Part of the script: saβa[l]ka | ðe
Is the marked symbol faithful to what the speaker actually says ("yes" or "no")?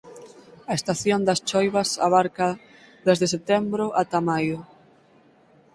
no